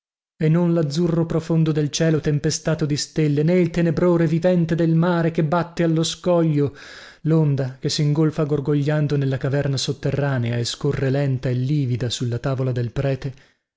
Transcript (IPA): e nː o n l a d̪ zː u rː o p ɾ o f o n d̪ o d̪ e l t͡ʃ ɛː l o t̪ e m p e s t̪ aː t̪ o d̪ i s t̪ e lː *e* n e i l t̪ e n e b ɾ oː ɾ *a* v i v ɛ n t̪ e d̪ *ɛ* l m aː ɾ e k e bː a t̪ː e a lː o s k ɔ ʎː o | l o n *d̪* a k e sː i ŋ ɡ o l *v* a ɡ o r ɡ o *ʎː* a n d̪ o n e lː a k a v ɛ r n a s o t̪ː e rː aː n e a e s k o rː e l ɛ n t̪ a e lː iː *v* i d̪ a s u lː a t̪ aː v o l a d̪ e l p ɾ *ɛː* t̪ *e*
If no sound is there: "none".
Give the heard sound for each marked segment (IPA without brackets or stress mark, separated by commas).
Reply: e, e, e, d̪, f, ʎː, v, ɛː, e